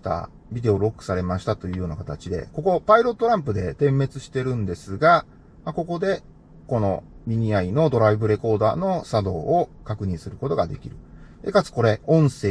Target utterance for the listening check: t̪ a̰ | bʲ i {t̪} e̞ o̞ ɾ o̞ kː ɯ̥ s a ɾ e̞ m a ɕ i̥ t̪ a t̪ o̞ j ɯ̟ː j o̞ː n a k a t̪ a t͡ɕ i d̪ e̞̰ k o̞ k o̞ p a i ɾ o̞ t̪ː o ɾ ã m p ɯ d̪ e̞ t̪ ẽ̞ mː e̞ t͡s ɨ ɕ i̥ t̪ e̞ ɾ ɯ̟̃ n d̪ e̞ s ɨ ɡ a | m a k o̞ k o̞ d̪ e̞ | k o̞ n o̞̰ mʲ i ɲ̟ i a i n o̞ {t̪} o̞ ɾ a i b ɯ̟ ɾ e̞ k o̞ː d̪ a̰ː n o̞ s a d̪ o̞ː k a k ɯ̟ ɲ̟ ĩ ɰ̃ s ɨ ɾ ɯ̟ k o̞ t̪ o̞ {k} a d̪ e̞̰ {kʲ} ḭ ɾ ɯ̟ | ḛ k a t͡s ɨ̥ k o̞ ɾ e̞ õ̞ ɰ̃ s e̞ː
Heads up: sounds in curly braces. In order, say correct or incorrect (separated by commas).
incorrect, incorrect, incorrect, correct